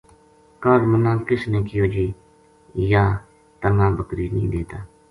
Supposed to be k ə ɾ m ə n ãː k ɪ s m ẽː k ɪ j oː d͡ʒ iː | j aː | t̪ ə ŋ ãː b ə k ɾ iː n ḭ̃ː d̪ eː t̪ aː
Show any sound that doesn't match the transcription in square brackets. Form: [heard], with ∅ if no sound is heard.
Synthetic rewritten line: k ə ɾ m ə n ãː k ɪ s [n] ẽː k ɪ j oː d͡ʒ iː | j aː | t̪ ə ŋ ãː b ə k ɾ iː n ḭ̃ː d̪ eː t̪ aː